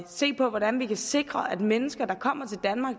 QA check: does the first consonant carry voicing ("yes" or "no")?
no